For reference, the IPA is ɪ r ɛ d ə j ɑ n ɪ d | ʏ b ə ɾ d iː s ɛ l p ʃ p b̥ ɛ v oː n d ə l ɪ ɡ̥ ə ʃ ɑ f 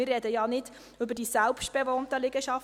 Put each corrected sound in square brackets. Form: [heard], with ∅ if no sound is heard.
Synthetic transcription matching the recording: ɪ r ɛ d ə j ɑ n ɪ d | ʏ b ə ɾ d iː s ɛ l p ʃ [t] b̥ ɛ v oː n [t] ə l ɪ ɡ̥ ə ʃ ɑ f